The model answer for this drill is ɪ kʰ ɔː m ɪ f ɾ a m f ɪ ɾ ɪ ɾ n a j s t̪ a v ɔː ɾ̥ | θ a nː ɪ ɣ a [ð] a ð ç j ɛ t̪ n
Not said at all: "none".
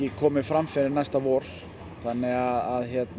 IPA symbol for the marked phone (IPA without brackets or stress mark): ð